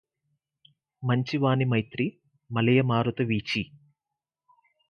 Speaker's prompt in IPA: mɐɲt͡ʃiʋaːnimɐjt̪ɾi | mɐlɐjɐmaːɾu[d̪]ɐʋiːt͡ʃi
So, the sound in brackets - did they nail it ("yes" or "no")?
no